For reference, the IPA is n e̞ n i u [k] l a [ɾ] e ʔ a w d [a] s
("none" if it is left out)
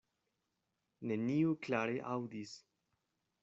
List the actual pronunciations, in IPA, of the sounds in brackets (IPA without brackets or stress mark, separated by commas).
k, ɾ, i